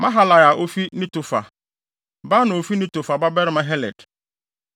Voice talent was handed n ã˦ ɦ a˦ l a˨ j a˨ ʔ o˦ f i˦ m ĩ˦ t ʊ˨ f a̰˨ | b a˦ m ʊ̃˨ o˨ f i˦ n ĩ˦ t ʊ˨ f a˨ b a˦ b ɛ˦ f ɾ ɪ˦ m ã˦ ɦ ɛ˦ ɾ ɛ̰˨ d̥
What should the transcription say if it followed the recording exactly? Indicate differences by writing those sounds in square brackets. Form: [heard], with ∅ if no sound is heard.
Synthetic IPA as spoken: [m] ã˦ ɦ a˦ l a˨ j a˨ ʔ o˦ f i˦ [n] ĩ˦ t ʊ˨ f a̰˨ | b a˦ [n] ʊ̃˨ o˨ f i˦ n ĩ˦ t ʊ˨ f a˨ b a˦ b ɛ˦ [∅] ɾ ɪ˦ m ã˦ ɦ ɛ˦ [l] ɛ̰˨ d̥